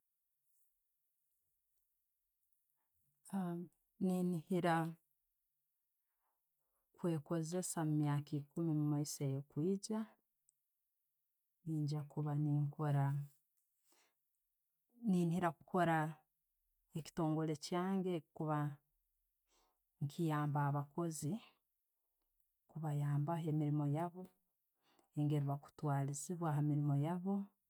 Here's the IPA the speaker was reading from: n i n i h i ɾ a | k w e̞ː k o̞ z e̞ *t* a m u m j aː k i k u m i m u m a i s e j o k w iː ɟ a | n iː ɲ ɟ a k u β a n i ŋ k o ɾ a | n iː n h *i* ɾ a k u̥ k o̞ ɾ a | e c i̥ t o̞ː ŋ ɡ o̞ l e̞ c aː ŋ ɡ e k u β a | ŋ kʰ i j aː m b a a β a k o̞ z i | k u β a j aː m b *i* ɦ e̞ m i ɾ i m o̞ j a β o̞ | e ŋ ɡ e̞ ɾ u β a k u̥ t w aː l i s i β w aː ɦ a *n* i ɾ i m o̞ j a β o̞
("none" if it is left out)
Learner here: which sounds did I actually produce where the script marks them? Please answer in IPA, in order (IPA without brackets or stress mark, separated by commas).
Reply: s, i, a, m